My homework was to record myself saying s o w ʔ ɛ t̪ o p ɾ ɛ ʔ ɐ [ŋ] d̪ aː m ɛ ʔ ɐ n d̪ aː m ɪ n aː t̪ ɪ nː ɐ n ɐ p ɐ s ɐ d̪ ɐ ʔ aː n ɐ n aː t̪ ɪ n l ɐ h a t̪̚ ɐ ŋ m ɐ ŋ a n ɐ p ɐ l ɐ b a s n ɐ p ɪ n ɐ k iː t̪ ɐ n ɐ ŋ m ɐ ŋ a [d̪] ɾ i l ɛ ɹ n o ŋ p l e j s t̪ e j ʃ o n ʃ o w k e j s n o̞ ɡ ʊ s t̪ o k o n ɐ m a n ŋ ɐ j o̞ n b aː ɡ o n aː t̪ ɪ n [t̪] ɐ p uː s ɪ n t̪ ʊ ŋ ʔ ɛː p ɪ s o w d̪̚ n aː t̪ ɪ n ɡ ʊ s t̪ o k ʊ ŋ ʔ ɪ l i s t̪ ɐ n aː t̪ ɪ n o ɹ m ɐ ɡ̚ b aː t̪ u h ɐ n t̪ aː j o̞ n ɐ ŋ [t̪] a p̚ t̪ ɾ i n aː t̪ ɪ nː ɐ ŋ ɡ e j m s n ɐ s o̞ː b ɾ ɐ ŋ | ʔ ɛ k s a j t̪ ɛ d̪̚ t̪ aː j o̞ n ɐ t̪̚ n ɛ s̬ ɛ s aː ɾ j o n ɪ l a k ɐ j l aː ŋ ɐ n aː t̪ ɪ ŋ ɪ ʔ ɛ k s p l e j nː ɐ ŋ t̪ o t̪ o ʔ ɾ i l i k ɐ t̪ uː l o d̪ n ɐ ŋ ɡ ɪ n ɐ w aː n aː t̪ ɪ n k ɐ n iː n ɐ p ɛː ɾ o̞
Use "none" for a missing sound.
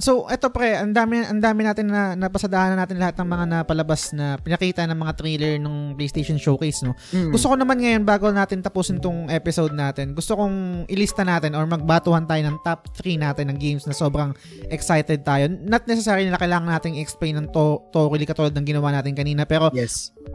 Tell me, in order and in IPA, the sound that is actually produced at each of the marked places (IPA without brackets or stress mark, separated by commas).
n, t̪, t̪, t̪